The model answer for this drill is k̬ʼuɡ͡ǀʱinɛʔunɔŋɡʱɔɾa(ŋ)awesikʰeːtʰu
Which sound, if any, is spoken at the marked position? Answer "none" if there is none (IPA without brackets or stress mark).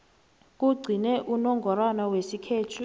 n